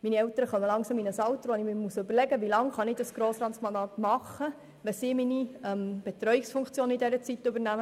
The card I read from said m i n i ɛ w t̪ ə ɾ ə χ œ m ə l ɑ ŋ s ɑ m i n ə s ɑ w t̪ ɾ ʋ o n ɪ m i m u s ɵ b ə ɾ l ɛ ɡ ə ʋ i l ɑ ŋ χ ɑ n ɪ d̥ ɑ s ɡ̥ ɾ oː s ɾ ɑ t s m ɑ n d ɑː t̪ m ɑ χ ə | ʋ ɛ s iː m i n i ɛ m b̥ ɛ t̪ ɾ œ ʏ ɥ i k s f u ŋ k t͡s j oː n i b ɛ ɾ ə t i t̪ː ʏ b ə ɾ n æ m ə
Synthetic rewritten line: m i n i ɛ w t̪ ə ɾ ə χ œ m ə l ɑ ŋ s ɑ m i n ə s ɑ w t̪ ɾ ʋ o n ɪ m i m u s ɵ b ə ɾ l ɛ ɡ ə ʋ i l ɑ ŋ χ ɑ n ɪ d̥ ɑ s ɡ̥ ɾ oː s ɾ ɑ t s m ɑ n d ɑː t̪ m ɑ χ ə | ʋ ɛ s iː m i n i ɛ m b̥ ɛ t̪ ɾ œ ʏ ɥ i k s f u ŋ k t͡s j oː n i d ɛ ɾ ə t͡s i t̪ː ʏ b ə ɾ n æ m ə